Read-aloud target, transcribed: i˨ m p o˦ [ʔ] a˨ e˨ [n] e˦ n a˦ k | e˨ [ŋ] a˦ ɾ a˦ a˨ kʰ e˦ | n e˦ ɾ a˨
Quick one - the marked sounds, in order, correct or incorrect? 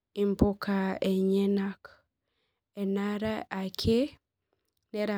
incorrect: k, incorrect: ɲ, incorrect: n

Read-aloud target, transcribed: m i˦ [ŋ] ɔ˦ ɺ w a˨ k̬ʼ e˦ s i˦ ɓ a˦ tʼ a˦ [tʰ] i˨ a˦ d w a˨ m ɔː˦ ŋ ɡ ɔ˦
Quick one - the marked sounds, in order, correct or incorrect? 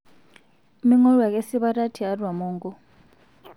correct, correct

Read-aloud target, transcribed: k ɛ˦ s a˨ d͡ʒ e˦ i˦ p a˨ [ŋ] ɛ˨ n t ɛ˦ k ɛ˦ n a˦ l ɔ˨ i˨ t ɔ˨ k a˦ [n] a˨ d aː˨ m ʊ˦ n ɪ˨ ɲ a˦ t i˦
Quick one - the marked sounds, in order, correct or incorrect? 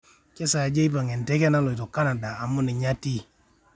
correct, correct

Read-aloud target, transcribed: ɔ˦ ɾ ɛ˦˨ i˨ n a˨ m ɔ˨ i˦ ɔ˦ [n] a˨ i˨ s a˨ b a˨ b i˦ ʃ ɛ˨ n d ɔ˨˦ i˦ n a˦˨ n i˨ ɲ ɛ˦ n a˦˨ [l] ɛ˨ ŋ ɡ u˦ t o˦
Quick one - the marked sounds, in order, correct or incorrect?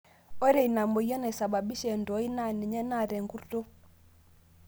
correct, incorrect: ɾ

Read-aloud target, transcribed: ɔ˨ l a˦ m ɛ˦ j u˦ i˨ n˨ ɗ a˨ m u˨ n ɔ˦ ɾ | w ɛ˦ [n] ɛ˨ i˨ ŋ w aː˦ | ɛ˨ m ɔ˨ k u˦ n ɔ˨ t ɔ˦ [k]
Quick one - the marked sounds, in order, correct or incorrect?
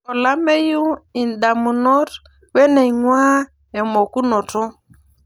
correct, incorrect: none

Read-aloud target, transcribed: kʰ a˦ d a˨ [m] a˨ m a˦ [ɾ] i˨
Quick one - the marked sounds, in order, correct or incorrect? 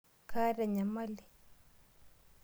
incorrect: ɲ, incorrect: l

